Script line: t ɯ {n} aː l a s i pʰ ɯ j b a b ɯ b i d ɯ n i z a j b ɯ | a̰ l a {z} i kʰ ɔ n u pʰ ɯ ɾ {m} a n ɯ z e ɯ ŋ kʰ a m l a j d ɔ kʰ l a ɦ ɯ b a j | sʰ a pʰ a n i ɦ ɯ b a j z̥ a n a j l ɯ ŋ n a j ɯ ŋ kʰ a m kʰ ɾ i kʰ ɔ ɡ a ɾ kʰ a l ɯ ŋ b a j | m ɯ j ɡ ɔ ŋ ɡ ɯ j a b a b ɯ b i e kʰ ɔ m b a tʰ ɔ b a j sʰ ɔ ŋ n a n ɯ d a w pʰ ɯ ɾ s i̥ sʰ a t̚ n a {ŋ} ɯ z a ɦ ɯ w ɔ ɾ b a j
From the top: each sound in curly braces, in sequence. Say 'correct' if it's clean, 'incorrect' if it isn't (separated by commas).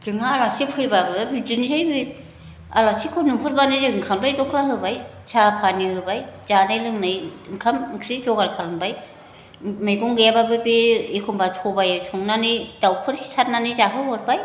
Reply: incorrect, incorrect, incorrect, incorrect